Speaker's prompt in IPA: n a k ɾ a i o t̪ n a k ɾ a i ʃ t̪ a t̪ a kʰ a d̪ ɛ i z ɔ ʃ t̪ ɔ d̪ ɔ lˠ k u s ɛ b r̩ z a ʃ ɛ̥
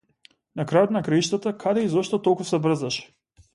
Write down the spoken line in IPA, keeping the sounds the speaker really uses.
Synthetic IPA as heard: n a k ɾ a j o t̪ n a k ɾ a i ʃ t̪ a t̪ a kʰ a d̪ ɛ i z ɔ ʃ t̪ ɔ t̪ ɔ lˠ k u s ɛ b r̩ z a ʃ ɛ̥